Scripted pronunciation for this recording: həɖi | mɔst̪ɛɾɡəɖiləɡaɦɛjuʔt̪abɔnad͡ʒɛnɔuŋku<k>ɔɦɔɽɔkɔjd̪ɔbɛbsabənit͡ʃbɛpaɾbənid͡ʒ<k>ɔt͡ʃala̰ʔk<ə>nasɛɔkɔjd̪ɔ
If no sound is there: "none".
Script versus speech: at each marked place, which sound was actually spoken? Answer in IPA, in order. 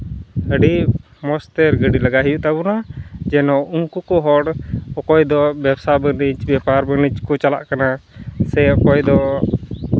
k, k, a

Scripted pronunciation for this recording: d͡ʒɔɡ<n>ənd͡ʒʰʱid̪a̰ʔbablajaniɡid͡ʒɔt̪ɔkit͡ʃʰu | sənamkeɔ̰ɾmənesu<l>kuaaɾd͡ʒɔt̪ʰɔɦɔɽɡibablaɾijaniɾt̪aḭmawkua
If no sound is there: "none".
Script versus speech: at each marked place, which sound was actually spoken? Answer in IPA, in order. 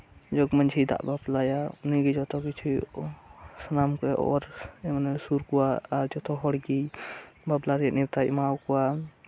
m, ɾ

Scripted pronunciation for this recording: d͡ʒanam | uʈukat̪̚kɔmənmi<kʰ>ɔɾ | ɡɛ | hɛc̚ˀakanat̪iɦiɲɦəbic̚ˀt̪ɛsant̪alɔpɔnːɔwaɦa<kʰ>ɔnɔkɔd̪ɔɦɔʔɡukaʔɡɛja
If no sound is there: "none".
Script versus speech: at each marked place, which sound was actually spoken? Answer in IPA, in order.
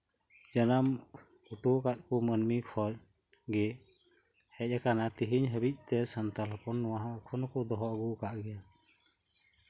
kʰ, kʰ

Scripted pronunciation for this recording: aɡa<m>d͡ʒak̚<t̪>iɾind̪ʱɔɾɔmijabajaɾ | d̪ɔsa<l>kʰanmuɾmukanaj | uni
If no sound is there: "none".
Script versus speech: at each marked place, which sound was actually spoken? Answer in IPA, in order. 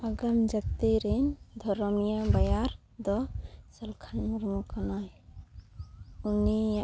m, t̪, l

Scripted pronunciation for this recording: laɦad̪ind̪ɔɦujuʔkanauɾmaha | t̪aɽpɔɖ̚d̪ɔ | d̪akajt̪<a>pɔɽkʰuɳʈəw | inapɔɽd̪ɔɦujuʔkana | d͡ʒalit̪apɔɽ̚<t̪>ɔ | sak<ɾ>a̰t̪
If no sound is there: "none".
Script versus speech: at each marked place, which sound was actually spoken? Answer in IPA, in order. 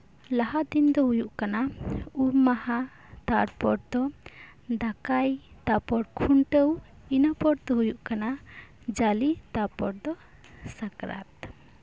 a, d̪, ɾ

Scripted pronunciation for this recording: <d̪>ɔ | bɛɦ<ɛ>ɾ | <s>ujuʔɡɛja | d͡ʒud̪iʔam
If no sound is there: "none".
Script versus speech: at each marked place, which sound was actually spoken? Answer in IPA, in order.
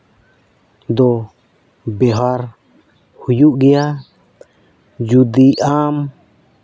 d̪, a, h

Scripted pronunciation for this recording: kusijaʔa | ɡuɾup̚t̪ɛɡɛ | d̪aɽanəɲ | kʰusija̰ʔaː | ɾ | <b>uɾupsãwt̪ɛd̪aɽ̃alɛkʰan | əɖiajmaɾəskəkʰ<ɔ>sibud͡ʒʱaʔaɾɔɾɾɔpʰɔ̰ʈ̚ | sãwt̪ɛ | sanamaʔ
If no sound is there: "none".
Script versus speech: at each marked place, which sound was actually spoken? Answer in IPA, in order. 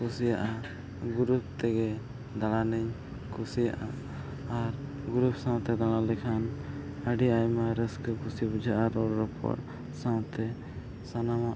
ɡ, u

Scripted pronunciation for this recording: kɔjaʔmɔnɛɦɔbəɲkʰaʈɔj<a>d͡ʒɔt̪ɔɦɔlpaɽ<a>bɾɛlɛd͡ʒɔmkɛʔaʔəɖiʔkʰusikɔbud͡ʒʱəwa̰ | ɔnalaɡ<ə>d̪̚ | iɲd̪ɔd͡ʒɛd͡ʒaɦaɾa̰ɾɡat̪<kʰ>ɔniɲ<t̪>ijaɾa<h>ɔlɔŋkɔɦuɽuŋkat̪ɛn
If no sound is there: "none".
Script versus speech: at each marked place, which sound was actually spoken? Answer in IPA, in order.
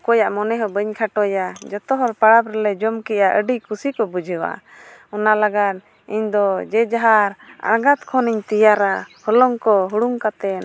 a, a, a, kʰ, t̪, h

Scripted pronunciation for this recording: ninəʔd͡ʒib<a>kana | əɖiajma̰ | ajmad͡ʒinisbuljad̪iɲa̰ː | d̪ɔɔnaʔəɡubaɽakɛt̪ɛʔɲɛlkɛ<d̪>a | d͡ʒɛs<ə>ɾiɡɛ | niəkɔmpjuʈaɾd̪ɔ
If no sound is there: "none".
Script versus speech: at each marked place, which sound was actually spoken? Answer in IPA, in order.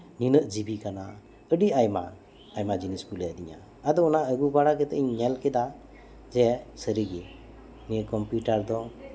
i, d̪, ə

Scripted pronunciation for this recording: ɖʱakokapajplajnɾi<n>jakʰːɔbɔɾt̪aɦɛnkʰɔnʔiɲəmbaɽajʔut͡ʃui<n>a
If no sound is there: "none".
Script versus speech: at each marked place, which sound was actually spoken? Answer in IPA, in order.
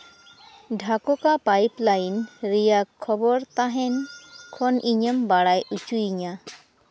none, ɲ

